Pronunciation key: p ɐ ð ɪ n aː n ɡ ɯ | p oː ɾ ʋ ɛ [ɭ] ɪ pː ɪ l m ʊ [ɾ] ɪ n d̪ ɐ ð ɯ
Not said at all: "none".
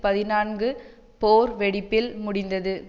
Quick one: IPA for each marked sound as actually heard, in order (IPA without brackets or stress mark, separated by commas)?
ɽ, ɽ